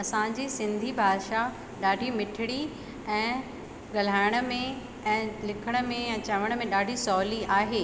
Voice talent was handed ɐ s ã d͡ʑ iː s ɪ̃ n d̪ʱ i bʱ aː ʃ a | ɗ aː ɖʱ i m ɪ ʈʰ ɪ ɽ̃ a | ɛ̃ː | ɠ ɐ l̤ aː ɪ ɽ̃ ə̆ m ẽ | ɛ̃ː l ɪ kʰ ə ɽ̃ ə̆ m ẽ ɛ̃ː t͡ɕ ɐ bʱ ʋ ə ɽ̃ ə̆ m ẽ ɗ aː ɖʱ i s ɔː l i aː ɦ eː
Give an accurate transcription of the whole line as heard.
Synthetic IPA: ɐ s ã d͡ʑ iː s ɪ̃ n d̪ʱ i bʱ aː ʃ a | ɗ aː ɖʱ i m ɪ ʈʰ ɪ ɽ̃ i | ɛ̃ː | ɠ ɐ l̤ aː ɪ ɽ̃ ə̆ m ẽ | ɛ̃ː l ɪ kʰ ə ɽ̃ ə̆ m ẽ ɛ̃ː t͡ɕ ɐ ʋ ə ɽ̃ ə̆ m ẽ ɗ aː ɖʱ i s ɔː l i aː ɦ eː